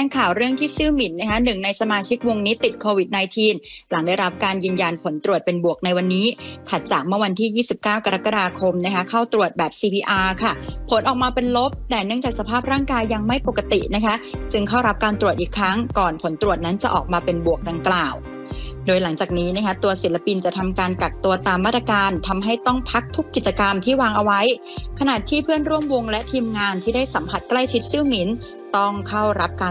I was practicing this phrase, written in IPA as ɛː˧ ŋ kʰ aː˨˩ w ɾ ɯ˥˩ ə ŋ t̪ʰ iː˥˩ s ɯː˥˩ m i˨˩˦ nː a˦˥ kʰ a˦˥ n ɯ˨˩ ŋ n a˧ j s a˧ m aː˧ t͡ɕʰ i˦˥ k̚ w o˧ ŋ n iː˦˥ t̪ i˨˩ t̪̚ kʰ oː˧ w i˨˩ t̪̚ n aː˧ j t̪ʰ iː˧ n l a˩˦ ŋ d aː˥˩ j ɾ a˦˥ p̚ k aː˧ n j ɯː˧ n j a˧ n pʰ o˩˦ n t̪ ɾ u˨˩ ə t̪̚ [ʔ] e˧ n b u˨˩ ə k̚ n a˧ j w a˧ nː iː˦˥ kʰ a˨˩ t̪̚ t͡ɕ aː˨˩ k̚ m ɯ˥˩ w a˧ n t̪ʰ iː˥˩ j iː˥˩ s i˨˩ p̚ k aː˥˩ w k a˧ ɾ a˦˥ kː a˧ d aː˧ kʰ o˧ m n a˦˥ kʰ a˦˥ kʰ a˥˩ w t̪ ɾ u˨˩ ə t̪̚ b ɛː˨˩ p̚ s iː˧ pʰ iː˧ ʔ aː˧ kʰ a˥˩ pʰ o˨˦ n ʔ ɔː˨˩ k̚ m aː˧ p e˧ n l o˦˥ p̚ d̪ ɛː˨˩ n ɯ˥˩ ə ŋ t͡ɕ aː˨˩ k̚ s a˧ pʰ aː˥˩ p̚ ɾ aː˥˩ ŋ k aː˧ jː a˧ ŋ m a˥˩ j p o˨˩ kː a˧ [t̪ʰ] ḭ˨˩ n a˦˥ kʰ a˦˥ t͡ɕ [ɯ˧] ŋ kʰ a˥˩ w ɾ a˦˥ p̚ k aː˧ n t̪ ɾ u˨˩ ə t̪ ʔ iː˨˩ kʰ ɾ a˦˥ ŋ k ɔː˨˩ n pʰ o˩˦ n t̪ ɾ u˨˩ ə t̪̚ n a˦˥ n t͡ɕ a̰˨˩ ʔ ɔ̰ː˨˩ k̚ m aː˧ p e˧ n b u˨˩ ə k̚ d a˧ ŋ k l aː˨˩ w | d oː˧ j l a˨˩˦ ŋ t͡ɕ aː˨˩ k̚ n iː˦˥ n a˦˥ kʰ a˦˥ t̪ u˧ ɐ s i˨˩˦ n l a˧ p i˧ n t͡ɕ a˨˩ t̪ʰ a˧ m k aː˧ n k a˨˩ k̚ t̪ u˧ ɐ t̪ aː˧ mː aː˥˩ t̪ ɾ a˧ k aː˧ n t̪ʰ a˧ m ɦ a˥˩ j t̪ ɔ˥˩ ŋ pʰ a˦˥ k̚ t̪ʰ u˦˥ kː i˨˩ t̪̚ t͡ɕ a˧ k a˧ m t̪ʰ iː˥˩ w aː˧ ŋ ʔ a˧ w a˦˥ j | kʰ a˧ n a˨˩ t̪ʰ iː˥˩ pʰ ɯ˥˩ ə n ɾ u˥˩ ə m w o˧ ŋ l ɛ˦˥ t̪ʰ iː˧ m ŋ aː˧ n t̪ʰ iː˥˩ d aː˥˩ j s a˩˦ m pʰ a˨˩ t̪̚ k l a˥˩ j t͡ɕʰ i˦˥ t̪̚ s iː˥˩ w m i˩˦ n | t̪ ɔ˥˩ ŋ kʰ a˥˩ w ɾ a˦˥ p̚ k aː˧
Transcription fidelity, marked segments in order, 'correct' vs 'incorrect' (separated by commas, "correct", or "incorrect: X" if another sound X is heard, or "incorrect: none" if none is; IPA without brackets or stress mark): incorrect: p, incorrect: t̪, correct